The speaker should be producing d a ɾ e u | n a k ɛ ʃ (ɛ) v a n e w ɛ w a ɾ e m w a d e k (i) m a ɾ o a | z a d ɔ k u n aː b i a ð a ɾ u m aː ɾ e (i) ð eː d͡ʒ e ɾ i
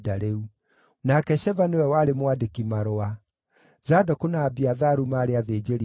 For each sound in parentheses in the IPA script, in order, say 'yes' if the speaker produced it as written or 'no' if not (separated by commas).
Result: yes, yes, no